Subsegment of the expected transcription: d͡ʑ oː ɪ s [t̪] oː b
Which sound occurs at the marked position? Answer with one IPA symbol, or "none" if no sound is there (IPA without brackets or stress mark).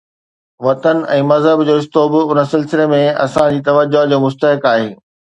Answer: t̪